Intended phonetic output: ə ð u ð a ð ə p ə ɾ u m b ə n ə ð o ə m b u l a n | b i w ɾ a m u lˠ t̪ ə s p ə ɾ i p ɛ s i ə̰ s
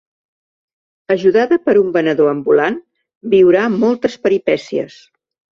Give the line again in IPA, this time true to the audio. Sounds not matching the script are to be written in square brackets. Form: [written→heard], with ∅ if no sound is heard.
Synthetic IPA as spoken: ə [ð→ʒ] u ð a ð ə p ə ɾ u m b ə n ə ð o ə m b u l a n | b i w ɾ a m [u→ɔ] lˠ t̪ ə s p ə ɾ i p ɛ s i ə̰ s